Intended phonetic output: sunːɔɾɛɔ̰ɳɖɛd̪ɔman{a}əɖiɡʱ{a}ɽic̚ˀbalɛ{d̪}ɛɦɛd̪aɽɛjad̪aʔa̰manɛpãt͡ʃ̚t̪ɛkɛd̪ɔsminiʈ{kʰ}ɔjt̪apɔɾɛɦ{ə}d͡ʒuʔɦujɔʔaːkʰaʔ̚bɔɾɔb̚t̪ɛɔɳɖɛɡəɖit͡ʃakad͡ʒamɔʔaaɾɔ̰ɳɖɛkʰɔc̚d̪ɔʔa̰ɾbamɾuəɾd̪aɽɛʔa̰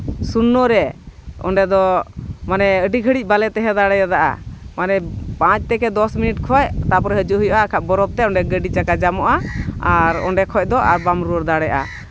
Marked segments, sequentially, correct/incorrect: incorrect: ɛ, incorrect: ə, incorrect: t̪, correct, correct

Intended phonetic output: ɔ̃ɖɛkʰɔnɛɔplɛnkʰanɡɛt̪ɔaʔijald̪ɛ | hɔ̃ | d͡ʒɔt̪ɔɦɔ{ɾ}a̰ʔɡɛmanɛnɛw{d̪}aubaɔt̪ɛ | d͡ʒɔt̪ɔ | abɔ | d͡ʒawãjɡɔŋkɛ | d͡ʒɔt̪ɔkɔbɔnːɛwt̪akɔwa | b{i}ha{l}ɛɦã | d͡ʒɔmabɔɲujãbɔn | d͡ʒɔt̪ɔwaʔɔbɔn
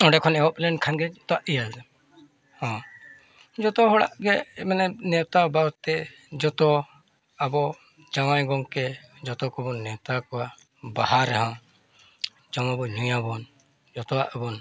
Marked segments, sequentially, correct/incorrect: incorrect: ɽ, incorrect: t̪, incorrect: a, incorrect: ɾ

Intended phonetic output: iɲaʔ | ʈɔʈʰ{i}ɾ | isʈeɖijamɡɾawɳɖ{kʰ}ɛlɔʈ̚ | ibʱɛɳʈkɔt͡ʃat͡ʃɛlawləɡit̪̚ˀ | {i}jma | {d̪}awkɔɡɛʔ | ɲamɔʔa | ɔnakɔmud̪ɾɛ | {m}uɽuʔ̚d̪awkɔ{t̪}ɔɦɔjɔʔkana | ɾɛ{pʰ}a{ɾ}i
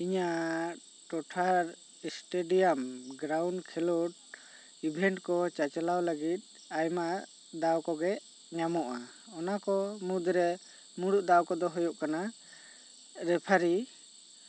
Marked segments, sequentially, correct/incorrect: incorrect: a, correct, incorrect: a, correct, correct, incorrect: d̪, correct, correct

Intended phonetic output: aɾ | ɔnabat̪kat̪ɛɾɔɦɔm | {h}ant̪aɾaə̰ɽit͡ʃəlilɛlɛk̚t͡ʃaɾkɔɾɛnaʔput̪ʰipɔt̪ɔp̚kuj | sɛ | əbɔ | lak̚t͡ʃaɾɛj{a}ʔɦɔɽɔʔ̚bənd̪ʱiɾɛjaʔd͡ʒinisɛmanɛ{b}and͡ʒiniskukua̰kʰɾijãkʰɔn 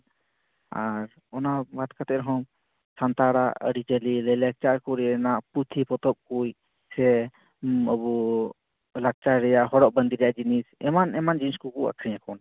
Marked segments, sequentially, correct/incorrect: incorrect: s, correct, incorrect: m

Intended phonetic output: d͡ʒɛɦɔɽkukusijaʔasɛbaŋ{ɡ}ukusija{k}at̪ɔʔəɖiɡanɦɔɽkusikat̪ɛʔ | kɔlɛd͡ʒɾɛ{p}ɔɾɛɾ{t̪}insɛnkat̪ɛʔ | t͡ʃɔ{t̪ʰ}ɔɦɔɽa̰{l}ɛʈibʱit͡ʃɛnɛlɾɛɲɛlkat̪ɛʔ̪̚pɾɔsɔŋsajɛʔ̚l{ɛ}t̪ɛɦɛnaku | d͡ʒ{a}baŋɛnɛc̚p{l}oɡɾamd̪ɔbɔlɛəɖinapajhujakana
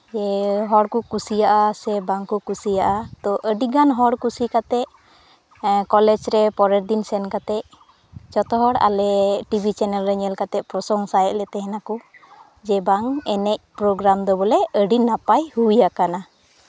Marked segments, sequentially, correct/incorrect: incorrect: k, incorrect: ʔ, correct, incorrect: d̪, incorrect: t̪, correct, correct, incorrect: ɛ, incorrect: ɾ

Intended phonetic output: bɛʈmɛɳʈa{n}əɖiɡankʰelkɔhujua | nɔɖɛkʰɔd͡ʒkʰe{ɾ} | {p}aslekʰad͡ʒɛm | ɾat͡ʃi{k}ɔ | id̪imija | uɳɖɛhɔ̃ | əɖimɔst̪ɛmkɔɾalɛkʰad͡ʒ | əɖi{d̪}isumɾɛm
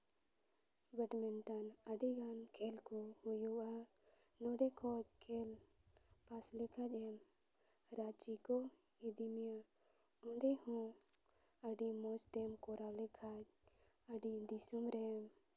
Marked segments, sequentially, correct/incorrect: correct, incorrect: l, correct, correct, correct

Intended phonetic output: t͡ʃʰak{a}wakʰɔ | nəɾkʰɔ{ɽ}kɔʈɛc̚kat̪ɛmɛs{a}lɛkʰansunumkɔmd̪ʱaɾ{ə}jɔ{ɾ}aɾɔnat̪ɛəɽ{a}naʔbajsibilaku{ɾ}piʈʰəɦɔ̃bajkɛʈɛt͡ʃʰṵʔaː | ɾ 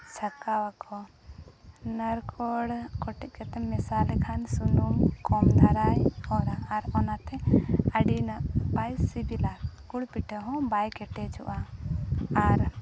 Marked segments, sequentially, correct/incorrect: correct, correct, correct, incorrect: a, correct, incorrect: i, incorrect: ɽ

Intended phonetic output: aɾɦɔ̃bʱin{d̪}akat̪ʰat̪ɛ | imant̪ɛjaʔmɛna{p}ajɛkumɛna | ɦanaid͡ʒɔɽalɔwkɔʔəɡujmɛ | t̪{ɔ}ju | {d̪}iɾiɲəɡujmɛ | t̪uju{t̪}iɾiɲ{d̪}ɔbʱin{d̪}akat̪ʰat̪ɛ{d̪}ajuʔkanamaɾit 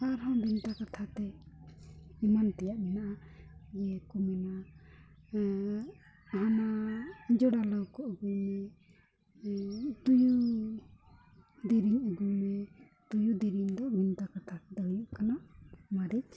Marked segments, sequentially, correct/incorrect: incorrect: t̪, incorrect: ʔ, incorrect: u, correct, incorrect: d̪, correct, incorrect: t̪, correct

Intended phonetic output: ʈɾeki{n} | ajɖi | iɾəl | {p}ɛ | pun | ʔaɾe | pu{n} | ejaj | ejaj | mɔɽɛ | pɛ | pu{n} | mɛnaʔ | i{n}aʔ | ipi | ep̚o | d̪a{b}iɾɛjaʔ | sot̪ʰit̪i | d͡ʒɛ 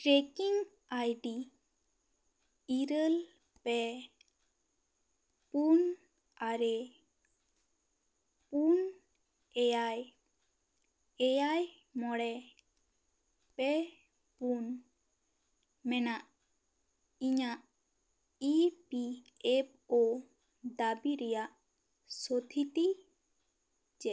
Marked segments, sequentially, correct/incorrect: incorrect: ŋ, correct, correct, correct, incorrect: ɲ, correct

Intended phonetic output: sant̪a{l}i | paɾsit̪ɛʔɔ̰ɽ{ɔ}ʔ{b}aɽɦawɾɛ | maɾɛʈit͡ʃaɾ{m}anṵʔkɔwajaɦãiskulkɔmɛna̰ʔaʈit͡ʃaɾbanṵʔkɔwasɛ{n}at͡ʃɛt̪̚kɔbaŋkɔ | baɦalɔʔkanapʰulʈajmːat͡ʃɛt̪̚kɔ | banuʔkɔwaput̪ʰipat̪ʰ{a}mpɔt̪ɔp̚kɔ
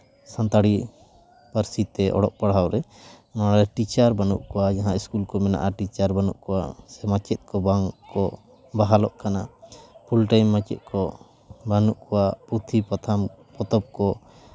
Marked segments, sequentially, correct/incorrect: incorrect: ɽ, correct, incorrect: p, incorrect: b, incorrect: m, correct

